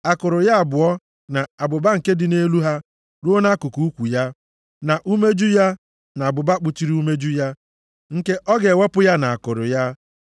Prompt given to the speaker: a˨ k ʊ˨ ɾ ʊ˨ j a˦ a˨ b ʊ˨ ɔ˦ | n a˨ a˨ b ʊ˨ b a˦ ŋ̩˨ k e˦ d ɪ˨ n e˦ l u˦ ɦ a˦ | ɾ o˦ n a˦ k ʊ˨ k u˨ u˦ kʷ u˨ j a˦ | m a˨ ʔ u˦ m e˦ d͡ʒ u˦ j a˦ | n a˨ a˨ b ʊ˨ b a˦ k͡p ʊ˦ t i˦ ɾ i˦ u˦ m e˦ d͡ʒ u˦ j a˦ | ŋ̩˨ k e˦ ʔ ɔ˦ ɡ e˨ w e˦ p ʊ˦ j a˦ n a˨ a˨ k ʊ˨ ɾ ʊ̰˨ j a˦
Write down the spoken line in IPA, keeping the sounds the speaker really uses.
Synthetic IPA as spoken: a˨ k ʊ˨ ɾ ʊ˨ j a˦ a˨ b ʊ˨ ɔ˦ | n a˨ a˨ b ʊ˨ b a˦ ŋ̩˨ k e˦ d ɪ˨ n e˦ l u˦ ɦ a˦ | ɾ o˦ n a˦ k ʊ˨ k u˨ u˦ kʷ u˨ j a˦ | n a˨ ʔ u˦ m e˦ d͡ʒ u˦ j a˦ | n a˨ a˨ b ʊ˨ b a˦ k͡p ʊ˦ t͡ʃ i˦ ɾ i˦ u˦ m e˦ d͡ʒ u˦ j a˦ | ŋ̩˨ k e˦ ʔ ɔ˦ ɡ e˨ w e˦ p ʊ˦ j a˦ n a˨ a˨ k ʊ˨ ɾ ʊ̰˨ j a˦